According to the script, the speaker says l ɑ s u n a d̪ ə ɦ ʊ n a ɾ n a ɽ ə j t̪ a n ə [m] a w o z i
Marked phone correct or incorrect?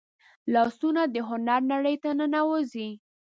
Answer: incorrect: n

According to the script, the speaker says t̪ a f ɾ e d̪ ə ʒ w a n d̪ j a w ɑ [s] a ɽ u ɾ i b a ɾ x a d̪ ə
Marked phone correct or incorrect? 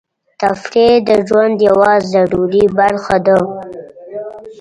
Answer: incorrect: z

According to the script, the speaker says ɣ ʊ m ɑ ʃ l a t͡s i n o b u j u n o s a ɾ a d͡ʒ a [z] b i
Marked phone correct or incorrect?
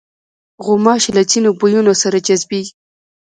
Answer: correct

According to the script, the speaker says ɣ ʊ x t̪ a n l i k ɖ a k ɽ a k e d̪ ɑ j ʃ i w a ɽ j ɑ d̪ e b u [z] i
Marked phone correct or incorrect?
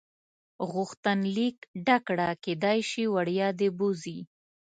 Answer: correct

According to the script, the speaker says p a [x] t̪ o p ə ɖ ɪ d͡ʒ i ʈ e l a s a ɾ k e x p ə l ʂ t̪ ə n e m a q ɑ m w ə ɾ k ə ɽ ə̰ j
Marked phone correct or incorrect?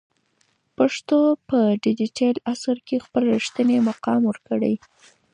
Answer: incorrect: ʂ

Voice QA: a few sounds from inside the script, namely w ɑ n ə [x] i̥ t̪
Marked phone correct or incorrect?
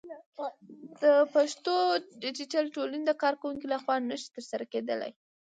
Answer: incorrect: ʃ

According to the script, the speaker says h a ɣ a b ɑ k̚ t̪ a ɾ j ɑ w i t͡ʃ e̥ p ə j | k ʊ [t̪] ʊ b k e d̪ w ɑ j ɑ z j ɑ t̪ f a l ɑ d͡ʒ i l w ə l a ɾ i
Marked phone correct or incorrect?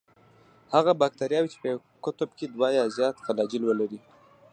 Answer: correct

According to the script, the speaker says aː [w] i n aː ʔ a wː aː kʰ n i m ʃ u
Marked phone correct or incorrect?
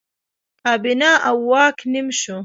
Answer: incorrect: b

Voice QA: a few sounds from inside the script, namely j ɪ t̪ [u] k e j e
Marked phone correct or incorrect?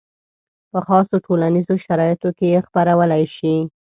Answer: incorrect: o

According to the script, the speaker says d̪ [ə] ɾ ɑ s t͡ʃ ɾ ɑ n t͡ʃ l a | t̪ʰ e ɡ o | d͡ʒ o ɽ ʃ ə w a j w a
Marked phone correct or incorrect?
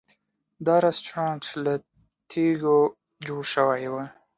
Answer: incorrect: ɑ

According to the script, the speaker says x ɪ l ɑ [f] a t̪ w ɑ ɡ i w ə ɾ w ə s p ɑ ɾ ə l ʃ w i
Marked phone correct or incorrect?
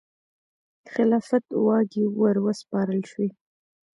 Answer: correct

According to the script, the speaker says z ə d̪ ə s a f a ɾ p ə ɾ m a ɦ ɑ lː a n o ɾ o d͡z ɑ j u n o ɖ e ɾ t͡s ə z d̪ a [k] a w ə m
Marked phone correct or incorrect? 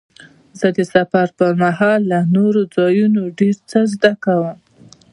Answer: correct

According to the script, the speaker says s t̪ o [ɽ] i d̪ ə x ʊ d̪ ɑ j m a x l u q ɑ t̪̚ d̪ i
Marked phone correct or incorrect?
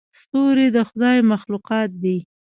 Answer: incorrect: ɾ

